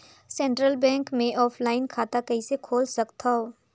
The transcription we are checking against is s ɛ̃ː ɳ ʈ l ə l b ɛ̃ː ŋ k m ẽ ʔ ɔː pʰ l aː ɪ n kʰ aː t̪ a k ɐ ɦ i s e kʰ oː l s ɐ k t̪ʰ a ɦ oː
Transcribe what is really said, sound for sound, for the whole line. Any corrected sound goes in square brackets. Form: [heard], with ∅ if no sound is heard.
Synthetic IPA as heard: s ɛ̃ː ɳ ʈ [ɾ] ə l b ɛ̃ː ŋ k m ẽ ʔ ɔː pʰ l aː ɪ n kʰ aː t̪ a k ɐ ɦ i s e kʰ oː l s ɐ k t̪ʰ a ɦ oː